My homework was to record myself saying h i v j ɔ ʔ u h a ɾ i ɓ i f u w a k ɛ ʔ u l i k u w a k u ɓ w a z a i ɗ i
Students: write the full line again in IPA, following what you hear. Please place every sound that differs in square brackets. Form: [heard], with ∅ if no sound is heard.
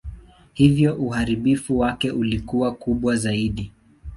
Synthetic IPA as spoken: h i v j ɔ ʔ u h a ɾ i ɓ i f u w a k ɛ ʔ u l i k u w a k u ɓ w a z a i ɗ i